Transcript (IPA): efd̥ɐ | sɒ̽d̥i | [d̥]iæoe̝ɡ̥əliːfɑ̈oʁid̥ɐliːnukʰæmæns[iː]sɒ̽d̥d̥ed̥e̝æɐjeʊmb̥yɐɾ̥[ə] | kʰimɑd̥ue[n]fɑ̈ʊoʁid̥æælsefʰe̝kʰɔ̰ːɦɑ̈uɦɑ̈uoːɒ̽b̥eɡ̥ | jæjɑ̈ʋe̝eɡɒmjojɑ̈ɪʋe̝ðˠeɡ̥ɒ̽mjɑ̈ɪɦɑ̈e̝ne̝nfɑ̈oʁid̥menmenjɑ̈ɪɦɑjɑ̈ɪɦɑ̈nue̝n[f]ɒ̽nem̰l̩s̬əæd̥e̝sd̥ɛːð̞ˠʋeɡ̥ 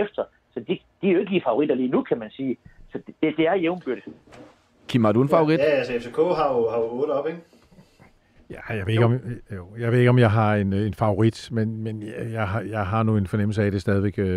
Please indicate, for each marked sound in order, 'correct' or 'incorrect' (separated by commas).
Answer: correct, correct, correct, correct, correct